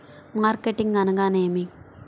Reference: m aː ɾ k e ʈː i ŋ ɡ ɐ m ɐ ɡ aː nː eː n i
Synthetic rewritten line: m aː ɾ k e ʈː i ŋ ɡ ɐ n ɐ ɡ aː n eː m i